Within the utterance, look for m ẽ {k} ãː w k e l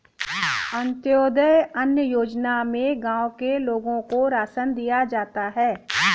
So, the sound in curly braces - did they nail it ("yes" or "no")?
no